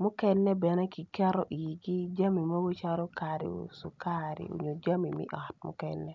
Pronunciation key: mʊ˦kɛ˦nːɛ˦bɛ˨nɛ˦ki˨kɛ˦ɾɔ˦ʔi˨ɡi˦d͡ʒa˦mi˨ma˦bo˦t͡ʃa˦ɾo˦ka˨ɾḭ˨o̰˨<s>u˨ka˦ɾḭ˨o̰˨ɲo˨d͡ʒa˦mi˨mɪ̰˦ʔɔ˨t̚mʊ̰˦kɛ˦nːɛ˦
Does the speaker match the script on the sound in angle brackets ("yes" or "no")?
yes